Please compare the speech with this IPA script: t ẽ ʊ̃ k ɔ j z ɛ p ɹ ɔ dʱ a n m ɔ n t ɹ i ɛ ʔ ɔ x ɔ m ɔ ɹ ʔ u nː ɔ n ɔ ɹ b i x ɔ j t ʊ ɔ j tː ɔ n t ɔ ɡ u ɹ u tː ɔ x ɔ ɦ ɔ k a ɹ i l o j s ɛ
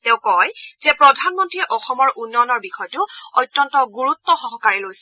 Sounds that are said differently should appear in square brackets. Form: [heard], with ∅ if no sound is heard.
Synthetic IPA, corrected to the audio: t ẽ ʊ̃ k ɔ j z ɛ p ɹ ɔ dʱ a n m ɔ n t ɹ i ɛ ʔ ɔ x ɔ m ɔ ɹ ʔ u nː ɔ n ɔ ɹ b i x ɔ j t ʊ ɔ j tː ɔ n t ɔ ɡ u ɹ u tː ɔ x ɔ ɦ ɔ k a ɹ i l o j s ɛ

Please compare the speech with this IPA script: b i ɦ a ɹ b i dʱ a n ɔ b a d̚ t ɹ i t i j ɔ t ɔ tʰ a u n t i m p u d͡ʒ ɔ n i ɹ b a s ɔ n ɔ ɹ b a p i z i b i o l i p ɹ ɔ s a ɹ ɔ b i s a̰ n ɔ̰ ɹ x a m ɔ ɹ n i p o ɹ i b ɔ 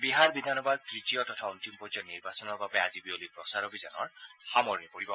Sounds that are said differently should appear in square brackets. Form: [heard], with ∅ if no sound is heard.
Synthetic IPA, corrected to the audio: b i ɦ a ɹ b i dʱ a n ɔ b a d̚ t ɹ i t i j ɔ t ɔ tʰ a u n t i m p [ɔ] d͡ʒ ɔ n i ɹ b a s ɔ n ɔ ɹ b a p [a] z i b i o l i p ɹ ɔ s a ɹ ɔ b i [z] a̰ n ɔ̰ ɹ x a m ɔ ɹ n i p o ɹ i b ɔ

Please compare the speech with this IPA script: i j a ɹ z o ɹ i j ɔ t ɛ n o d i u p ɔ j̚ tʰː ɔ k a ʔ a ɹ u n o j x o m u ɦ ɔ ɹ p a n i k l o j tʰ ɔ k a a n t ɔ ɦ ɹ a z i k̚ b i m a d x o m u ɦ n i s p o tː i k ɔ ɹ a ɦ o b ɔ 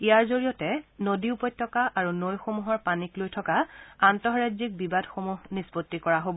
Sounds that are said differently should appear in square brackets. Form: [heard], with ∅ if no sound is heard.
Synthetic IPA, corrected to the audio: i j a ɹ z o ɹ i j ɔ t ɛ n o d i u p ɔ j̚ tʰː ɔ k a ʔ a ɹ u n o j x o m u ɦ ɔ ɹ p a n i k l o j tʰ ɔ k a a n t ɔ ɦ ɹ a z i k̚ b i [b] a d x o m u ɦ n i s p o tː i k ɔ ɹ a ɦ o b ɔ

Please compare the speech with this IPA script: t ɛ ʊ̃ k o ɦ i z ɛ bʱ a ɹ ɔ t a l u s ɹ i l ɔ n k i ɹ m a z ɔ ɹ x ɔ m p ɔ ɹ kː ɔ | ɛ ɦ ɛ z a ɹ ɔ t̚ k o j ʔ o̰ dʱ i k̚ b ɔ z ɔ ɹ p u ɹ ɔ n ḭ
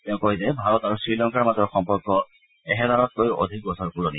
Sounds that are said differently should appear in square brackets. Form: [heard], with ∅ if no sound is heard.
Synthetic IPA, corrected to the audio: t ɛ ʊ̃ k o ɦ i z ɛ bʱ a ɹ ɔ t a [ɹ] u s ɹ i l ɔ [ŋ] k [a] ɹ m a z ɔ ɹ x ɔ m p ɔ ɹ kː ɔ | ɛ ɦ ɛ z a ɹ ɔ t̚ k o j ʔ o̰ dʱ i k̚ b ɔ [s] ɔ ɹ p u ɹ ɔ n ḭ

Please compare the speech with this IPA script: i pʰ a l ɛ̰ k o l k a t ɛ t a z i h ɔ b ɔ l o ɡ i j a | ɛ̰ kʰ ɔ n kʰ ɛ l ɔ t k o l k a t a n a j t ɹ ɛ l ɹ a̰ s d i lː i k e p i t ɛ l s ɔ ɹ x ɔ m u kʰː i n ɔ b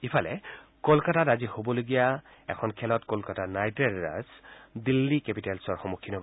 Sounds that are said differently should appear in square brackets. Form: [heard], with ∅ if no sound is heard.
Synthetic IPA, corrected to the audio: i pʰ a l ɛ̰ k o l k a t [a] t a z i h [o] b ɔ l o ɡ i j a | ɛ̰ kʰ ɔ n kʰ ɛ l ɔ t k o l k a t a n a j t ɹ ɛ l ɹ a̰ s d i lː i k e p i t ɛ l s ɔ ɹ x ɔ m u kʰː i n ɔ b

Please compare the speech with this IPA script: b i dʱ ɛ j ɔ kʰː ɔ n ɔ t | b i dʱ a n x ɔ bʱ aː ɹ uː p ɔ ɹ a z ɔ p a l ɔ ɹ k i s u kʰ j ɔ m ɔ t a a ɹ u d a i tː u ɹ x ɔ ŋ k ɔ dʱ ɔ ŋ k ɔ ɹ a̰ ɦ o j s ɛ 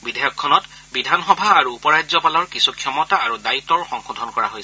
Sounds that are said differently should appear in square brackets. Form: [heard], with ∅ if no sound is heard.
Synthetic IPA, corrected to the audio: b i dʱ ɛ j ɔ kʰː ɔ n ɔ t | b i dʱ a n x ɔ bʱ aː ɹ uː p ɔ ɹ a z ɔ p a l ɔ ɹ k i s u kʰ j ɔ m ɔ t a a ɹ u d a i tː [ɔ] ɹ x ɔ ŋ [x] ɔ dʱ ɔ [n] k ɔ ɹ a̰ ɦ o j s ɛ

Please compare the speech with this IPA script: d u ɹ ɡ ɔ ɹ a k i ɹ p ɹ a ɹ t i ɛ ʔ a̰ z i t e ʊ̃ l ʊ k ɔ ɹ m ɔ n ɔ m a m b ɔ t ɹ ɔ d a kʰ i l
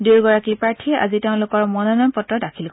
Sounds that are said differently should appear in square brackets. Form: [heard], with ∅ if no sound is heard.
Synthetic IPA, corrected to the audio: d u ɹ ɡ ɔ ɹ a k i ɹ p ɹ a ɹ [tʰ] i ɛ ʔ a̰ z i t e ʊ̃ l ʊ k ɔ ɹ m ɔ n ɔ [n] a m [p] ɔ t ɹ ɔ d a kʰ i l

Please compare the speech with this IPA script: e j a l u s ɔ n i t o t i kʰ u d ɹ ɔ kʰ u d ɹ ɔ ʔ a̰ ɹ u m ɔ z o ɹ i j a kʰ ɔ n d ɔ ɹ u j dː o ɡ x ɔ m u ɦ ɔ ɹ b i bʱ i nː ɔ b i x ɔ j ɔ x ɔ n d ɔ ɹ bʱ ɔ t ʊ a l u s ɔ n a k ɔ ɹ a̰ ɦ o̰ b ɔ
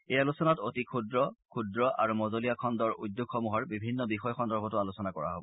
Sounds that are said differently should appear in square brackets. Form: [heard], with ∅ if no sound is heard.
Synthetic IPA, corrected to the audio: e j a l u s ɔ n [a] t o t i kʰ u d ɹ ɔ kʰ u d ɹ ɔ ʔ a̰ ɹ u m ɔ z o [l] i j a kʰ ɔ n d ɔ ɹ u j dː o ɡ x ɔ m u ɦ ɔ ɹ b i bʱ i nː ɔ b i x ɔ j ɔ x ɔ n d ɔ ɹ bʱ ɔ t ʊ a l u s ɔ n a k ɔ ɹ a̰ ɦ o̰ b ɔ

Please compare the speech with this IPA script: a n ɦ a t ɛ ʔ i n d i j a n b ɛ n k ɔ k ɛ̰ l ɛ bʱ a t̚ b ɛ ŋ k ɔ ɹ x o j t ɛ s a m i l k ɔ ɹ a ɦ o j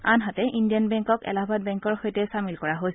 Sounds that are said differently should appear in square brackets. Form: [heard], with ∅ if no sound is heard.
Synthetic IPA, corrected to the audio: a n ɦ a t ɛ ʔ i n d i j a n b ɛ [ŋ] k ɔ k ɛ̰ l [a] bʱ a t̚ b ɛ ŋ k ɔ ɹ x o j t ɛ s a m i l k ɔ ɹ a ɦ o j

